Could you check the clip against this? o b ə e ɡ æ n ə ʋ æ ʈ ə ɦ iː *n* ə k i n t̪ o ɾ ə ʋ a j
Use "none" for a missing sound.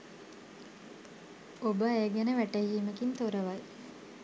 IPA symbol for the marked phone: m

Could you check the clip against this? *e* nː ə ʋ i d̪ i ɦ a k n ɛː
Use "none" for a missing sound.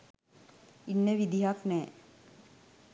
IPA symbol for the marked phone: i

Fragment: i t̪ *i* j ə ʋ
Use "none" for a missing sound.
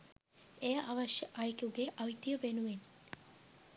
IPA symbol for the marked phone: i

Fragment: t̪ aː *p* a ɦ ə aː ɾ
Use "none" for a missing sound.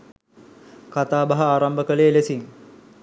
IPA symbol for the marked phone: b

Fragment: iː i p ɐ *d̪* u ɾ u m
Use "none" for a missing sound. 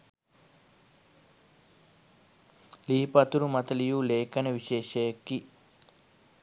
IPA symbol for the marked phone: t̪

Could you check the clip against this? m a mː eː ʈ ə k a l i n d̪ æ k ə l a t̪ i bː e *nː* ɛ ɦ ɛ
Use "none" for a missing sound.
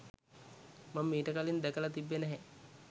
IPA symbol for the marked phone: n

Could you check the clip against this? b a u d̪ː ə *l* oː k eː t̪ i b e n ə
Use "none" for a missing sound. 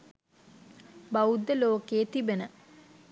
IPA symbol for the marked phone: l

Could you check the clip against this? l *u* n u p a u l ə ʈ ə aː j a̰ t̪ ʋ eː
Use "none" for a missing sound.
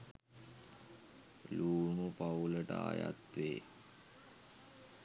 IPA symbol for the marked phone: uː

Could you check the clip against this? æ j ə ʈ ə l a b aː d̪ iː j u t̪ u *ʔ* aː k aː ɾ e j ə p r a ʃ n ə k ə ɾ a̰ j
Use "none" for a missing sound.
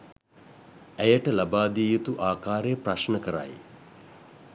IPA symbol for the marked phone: ʔ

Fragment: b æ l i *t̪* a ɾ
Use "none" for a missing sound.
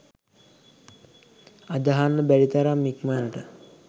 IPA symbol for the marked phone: t̪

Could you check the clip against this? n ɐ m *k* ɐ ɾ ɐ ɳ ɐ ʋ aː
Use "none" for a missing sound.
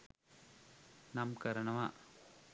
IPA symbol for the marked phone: k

